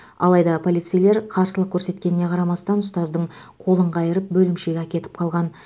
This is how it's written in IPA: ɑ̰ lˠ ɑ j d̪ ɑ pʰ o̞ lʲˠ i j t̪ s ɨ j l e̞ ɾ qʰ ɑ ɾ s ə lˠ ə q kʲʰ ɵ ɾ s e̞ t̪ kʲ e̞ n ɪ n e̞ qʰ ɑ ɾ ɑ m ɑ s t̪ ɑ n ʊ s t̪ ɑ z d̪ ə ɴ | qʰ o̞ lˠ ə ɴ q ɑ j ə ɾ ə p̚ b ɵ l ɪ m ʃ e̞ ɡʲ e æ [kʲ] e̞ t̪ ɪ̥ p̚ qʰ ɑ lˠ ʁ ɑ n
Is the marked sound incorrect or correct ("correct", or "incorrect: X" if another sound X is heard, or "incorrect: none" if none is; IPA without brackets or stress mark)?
correct